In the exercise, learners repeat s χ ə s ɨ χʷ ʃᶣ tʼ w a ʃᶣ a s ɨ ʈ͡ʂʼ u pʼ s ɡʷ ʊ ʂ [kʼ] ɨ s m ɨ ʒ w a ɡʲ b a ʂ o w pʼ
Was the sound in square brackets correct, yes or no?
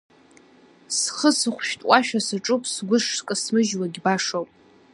yes